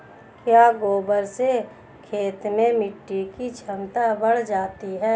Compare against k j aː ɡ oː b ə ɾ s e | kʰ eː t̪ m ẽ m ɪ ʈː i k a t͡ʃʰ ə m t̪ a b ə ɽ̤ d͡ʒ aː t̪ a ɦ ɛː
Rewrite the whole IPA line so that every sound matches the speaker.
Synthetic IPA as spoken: k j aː ɡ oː b ə ɾ s e | kʰ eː t̪ m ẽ m ɪ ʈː i k i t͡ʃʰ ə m t̪ a b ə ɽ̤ d͡ʒ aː t̪ i ɦ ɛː